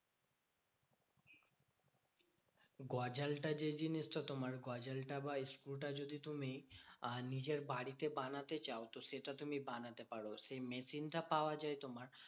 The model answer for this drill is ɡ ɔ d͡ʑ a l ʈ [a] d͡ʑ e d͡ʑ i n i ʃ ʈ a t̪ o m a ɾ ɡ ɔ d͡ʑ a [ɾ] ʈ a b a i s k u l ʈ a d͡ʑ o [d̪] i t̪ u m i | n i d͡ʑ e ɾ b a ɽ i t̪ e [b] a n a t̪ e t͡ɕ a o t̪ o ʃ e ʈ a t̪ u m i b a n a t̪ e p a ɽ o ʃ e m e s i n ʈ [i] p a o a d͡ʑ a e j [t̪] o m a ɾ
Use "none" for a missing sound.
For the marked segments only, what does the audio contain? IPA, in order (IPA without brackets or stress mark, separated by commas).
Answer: a, l, d̪, b, a, t̪